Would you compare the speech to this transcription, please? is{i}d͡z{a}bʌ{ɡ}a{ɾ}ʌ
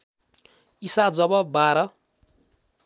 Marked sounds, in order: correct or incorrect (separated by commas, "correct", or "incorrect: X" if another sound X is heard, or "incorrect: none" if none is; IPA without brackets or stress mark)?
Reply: incorrect: a, incorrect: ʌ, incorrect: b, correct